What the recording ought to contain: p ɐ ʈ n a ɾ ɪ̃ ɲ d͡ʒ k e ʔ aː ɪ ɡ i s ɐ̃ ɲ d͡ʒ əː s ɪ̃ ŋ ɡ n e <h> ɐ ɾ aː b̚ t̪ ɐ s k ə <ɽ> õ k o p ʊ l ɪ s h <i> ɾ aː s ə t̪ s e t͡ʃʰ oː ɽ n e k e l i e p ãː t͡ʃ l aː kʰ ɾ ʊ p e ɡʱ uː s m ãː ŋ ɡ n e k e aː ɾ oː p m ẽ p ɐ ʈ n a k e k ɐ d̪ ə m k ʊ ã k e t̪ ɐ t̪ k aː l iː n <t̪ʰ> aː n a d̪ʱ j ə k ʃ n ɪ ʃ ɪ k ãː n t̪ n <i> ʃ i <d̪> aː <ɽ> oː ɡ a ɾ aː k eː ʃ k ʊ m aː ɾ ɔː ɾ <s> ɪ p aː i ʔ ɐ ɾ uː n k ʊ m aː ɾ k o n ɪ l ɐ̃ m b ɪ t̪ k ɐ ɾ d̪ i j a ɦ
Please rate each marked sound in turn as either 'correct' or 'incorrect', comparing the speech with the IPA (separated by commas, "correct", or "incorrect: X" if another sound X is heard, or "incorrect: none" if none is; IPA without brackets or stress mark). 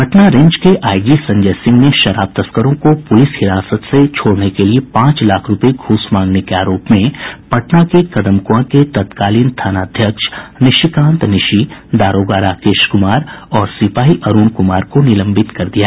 incorrect: ʃ, incorrect: ɾ, incorrect: ɪ, correct, incorrect: ɪ, correct, incorrect: ɾ, correct